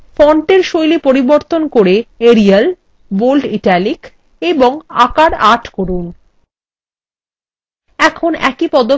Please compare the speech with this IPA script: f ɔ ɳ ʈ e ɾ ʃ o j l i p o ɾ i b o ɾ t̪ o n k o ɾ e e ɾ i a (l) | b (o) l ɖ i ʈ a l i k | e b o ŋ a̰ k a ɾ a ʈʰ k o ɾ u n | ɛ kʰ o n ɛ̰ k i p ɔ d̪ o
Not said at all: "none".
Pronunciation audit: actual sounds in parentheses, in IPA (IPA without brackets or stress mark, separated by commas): l, o